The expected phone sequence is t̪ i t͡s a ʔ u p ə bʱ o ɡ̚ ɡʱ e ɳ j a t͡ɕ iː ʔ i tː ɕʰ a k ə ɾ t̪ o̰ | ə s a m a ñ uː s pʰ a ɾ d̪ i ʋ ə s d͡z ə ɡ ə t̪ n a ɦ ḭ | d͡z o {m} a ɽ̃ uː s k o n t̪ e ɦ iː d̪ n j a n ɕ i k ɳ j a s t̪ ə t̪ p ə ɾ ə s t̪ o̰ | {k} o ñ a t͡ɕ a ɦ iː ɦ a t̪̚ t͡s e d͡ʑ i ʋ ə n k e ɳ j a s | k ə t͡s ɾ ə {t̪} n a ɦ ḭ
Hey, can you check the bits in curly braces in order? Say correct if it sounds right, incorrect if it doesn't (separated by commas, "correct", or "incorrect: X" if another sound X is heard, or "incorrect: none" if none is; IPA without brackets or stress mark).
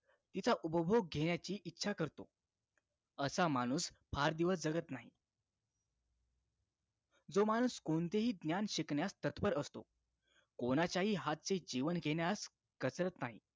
correct, correct, correct